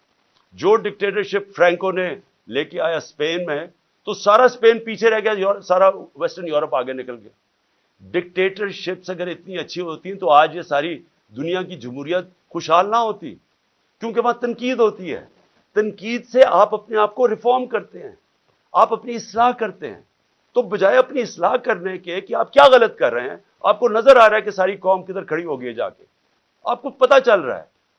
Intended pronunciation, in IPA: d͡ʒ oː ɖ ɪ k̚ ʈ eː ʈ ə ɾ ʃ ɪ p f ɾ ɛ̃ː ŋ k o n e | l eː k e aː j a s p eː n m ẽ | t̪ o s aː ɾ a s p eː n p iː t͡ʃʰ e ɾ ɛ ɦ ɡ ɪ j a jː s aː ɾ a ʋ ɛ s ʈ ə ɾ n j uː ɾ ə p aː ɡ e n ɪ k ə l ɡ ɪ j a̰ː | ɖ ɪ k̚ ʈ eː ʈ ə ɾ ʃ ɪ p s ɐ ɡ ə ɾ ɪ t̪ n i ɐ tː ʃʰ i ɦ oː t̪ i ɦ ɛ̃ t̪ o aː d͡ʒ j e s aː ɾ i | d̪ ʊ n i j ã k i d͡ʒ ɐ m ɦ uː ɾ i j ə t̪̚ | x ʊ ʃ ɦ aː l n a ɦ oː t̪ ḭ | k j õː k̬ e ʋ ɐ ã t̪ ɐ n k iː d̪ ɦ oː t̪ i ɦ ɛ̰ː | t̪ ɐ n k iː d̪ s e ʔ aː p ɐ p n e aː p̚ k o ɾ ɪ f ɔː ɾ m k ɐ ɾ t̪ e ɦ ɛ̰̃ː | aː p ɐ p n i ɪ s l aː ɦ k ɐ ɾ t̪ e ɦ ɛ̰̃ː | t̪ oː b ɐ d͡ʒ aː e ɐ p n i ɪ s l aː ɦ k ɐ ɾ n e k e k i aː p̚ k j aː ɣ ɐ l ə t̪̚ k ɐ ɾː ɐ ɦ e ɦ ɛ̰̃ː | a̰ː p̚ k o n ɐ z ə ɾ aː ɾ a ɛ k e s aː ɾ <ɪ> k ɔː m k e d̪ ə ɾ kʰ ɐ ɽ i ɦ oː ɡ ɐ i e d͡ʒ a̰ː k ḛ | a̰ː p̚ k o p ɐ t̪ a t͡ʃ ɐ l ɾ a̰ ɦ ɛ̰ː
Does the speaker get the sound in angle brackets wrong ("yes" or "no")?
yes